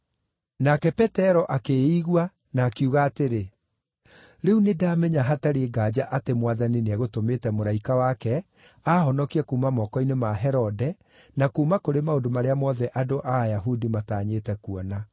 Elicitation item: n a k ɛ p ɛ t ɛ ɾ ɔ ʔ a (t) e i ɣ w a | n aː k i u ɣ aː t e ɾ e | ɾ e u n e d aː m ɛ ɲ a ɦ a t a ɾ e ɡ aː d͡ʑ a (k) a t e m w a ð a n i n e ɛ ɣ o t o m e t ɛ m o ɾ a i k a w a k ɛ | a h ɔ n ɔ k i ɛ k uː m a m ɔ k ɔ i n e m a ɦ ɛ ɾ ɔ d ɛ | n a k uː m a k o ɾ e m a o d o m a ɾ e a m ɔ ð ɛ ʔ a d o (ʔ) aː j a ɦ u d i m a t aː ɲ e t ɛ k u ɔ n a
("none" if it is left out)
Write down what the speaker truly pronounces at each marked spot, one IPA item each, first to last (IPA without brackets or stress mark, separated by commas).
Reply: k, ʔ, ʔ